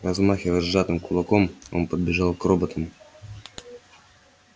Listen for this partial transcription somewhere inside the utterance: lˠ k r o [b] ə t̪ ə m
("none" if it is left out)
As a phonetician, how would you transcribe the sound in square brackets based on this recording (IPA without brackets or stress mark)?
b